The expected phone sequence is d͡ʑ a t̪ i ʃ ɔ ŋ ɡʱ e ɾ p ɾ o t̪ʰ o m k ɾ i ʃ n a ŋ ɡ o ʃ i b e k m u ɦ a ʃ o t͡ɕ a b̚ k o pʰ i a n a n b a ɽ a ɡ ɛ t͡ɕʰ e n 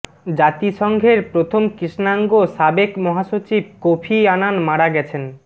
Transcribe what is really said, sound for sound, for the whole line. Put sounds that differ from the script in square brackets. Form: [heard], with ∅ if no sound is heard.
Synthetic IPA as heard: d͡ʑ a t̪ i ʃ ɔ ŋ ɡʱ e ɾ p ɾ o t̪ʰ o m k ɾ i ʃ n a ŋ ɡ o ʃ [a] b e k m [ɔ] ɦ a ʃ o t͡ɕ [i] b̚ k o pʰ i a n a n [m] a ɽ a ɡ ɛ t͡ɕʰ e n